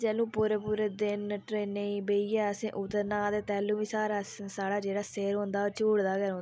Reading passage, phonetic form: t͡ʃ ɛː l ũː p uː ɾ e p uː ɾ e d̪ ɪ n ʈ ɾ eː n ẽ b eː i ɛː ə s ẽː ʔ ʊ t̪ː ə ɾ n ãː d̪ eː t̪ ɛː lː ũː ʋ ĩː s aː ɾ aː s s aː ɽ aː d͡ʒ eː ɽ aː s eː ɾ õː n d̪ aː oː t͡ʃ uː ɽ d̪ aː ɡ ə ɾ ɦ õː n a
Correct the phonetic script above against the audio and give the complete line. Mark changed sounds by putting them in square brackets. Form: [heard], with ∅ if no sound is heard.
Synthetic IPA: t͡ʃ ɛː l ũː p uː ɾ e p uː ɾ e d̪ ɪ n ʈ ɾ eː n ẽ b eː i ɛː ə s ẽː ʔ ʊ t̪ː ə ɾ n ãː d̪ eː t̪ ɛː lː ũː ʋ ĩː s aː ɾ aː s s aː ɽ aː d͡ʒ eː ɽ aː s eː ɾ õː n d̪ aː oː t͡ʃ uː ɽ d̪ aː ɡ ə ɾ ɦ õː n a